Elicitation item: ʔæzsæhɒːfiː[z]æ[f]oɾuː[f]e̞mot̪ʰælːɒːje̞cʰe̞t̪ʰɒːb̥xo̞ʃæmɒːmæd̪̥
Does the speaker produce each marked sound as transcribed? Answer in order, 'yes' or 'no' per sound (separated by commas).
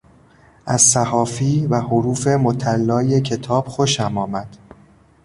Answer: no, no, yes